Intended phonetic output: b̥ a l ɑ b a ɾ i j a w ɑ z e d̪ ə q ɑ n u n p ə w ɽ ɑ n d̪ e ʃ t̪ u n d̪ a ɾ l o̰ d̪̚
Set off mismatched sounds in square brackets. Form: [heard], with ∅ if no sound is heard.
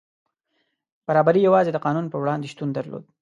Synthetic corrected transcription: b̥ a [ɾ] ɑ b a ɾ i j a w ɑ z e d̪ ə q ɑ n u n p ə w ɽ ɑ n d̪ e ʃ t̪ u n d̪ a ɾ l o̰ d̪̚